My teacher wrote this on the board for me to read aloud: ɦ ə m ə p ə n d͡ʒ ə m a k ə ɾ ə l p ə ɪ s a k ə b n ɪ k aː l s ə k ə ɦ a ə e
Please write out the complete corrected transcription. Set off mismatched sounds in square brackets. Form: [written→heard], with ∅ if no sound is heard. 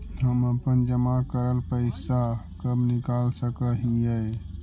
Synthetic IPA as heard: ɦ ə m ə p ə n d͡ʒ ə m a k ə ɾ ə l p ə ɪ s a k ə b n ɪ k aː l s ə k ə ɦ [a→i] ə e